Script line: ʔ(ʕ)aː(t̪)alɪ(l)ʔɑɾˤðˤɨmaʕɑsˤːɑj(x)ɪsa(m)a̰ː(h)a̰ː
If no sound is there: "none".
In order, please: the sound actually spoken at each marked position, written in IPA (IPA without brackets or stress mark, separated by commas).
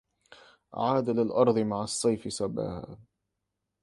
ʕ, d̪, l, f, b, h